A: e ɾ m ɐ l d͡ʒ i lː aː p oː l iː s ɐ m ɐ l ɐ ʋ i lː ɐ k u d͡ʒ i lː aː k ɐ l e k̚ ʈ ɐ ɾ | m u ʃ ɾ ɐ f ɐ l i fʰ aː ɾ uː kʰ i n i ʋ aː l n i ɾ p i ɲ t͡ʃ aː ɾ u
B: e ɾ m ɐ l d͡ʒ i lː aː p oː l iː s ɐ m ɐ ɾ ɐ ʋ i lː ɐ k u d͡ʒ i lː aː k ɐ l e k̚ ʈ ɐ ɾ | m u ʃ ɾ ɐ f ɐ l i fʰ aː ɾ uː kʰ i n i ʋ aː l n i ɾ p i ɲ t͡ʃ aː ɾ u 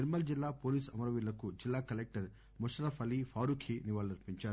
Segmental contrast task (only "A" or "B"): B